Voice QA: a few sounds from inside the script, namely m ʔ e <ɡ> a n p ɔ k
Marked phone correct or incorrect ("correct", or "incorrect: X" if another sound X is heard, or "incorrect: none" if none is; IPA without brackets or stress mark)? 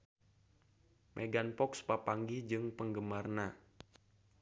correct